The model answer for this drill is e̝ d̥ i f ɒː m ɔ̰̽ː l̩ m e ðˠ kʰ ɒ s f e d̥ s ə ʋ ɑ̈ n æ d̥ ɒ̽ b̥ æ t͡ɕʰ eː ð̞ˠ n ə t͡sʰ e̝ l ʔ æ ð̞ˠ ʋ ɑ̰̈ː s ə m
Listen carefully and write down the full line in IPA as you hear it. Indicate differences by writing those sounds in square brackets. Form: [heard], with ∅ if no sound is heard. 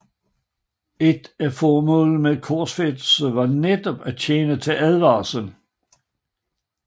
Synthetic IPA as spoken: e̝ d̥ [æ] f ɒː m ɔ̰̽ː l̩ m e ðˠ kʰ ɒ s f e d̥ s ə ʋ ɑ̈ n [e] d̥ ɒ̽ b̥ æ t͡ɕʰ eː [∅] n ə t͡sʰ e̝ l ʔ æ ð̞ˠ ʋ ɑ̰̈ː s ə [n]